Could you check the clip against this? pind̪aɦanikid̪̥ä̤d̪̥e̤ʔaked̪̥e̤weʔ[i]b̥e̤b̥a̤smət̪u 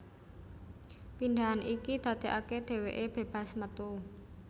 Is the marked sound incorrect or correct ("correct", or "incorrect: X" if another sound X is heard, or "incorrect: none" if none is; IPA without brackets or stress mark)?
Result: incorrect: e